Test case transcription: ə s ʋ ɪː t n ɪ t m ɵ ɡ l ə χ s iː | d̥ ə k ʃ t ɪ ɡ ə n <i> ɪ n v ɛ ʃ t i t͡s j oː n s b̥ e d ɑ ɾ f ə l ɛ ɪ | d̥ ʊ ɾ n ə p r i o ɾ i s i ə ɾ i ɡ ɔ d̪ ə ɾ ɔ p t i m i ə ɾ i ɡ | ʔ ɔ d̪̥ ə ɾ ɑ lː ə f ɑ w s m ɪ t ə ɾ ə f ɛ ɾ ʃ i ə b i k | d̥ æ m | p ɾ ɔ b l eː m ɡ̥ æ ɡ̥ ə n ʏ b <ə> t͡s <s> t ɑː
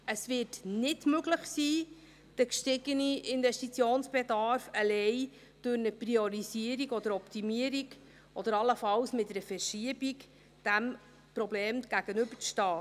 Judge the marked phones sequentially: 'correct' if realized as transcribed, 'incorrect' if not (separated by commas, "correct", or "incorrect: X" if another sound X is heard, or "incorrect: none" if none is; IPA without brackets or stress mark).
correct, correct, incorrect: ʃ